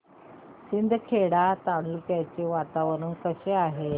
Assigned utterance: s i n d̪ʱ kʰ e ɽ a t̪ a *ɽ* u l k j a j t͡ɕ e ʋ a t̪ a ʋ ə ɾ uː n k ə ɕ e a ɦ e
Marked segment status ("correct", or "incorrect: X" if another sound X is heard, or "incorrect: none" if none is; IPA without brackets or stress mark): correct